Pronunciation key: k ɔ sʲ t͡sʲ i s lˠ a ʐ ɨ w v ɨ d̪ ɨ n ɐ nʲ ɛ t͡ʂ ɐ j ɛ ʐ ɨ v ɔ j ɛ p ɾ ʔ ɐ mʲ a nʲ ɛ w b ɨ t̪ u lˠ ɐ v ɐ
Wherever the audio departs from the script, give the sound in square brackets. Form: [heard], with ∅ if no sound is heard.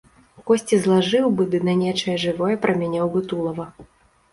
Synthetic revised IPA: k ɔ sʲ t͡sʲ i [z] lˠ a ʐ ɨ w [b] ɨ d̪ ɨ n ɐ nʲ ɛ t͡ʂ ɐ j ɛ ʐ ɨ v ɔ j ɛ p ɾ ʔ ɐ mʲ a nʲ ɛ w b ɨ t̪ u lˠ ɐ v ɐ